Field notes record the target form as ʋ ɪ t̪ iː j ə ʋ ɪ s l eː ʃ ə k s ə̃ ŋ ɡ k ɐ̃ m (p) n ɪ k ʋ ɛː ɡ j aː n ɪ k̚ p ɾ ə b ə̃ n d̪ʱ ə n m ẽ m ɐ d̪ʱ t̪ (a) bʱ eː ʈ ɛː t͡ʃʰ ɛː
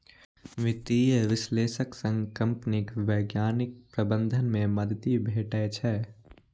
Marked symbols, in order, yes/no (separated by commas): yes, no